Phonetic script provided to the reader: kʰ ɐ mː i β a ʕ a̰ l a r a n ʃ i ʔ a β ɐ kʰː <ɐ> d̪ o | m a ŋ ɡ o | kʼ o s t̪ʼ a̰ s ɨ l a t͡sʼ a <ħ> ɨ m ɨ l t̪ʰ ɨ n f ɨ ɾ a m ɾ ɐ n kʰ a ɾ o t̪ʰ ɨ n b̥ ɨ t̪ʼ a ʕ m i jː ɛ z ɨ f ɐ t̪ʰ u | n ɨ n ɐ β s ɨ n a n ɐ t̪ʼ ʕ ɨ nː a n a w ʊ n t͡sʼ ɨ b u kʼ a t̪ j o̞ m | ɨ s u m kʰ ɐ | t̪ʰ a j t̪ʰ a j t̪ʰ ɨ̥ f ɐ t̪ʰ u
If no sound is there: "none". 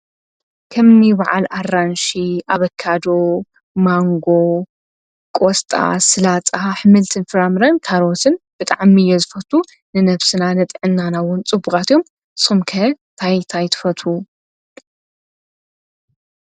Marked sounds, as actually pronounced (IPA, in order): a, ħ

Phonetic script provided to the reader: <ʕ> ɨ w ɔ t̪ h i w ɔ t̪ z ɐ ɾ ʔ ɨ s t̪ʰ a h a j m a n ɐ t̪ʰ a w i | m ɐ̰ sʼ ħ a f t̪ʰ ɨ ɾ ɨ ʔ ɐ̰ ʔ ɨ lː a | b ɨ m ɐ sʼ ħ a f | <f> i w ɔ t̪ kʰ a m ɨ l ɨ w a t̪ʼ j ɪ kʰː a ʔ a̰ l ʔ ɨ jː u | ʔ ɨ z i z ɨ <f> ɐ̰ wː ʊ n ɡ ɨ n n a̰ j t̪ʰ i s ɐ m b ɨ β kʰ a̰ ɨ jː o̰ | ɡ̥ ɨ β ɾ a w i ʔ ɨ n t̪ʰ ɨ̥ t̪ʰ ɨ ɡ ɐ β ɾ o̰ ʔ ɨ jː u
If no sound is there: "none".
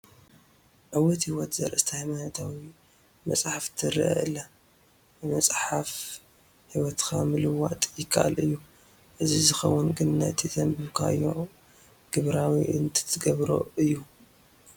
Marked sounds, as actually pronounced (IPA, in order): ʕ, h, x

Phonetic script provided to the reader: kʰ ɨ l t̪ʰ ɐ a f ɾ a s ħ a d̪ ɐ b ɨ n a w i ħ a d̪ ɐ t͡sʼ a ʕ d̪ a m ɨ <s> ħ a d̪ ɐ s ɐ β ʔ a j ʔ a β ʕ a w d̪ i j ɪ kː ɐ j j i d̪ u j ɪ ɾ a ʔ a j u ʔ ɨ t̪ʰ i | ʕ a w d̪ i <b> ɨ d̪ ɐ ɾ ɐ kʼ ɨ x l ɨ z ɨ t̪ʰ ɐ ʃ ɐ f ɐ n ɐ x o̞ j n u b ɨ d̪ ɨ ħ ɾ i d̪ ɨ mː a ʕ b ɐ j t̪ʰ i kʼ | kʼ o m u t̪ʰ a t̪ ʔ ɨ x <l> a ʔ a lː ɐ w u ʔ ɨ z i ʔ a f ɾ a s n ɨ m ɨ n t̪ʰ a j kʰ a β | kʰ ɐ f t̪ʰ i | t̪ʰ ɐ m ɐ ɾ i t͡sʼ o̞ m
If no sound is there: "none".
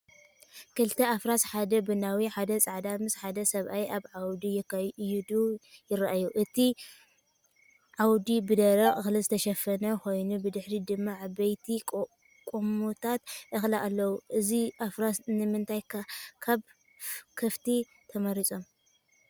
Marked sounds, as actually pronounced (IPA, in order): s, b, l

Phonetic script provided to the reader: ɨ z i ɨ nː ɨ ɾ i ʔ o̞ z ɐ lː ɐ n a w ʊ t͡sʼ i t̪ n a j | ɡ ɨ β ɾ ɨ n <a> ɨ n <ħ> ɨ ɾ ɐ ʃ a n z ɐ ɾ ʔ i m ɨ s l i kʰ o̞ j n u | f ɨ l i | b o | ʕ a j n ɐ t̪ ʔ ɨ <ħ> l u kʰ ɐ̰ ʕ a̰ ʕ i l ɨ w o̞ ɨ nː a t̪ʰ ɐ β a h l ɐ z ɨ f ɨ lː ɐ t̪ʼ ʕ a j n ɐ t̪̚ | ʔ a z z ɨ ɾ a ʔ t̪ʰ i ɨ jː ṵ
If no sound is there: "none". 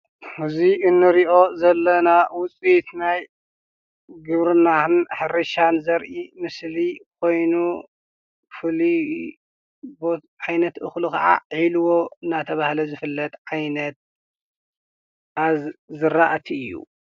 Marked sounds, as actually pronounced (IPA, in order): a, ħ, x

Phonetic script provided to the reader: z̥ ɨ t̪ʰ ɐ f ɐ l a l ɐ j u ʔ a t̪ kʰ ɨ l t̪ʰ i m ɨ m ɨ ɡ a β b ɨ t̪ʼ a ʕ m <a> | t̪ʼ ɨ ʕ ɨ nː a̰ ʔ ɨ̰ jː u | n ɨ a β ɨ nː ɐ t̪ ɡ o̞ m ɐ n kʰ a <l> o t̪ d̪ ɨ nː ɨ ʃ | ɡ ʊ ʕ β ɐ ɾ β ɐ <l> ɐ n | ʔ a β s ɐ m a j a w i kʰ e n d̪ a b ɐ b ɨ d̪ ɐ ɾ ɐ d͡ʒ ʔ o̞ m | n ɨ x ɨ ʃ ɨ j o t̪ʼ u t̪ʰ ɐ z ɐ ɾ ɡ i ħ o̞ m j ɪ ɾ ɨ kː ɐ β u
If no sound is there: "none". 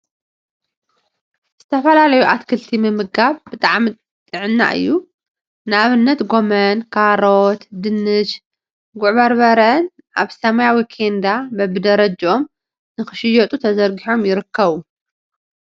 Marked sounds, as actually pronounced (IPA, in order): i, ɾ, ɾ

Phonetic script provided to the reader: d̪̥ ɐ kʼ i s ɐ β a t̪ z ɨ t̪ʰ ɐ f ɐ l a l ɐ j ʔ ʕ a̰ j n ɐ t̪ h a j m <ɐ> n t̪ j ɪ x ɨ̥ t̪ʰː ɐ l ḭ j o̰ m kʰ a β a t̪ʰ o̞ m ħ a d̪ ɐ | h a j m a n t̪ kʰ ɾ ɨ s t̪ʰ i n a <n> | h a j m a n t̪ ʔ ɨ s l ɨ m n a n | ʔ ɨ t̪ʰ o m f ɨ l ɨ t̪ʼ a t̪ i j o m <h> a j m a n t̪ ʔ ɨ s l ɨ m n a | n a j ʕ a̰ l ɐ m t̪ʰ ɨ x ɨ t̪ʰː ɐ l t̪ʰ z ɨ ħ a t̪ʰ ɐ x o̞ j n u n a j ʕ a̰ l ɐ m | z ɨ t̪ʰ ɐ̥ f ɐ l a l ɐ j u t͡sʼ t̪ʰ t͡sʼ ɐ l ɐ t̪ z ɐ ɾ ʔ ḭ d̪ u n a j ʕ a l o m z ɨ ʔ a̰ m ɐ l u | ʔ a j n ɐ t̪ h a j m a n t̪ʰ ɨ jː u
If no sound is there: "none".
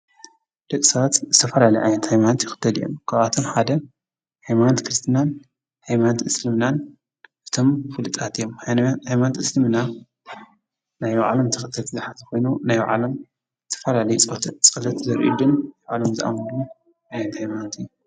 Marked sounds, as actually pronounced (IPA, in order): a, n, h

